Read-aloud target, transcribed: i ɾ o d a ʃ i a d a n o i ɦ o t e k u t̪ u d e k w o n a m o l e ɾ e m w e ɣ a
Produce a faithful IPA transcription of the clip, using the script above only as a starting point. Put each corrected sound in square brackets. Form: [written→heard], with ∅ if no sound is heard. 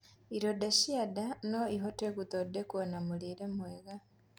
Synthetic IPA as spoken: i ɾ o d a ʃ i a d a n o i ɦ o t e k u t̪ [u→o] d e k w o n a m [o→u] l [e→i] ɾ e m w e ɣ a

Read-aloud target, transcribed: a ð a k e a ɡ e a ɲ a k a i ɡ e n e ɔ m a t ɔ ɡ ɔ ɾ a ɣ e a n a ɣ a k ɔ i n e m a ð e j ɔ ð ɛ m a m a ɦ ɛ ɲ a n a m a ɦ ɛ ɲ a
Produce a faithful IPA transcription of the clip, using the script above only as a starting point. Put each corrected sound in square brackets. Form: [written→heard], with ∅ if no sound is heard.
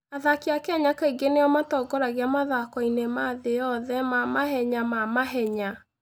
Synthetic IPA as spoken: a ð a k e a [ɡ→k] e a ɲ a k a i ɡ e n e ɔ m a t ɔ ɡ ɔ ɾ a ɣ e a [n→m] a [ɣ→ð] a k ɔ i n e m a ð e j ɔ ð ɛ m a m a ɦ ɛ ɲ a [n→m] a m a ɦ ɛ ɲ a

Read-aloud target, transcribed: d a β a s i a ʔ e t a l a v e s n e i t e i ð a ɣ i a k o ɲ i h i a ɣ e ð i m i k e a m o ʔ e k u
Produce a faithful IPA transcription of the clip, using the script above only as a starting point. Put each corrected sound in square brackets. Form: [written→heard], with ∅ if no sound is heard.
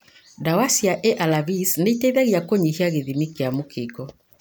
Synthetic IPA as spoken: d a [β→w] a s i a ʔ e [t→ʔ] a l a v [e→i] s n e i t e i ð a ɣ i a k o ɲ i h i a ɣ e ð i m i k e a m o [ʔ→k] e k [u→ɔ]

